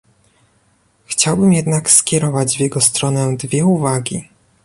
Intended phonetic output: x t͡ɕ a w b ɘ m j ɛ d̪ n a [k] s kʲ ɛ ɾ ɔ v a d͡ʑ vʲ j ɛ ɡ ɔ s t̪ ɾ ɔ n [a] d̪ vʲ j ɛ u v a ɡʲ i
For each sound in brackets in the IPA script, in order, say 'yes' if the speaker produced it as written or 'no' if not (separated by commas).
yes, no